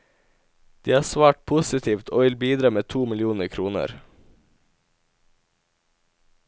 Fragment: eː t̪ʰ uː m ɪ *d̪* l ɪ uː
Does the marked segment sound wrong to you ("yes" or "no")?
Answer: yes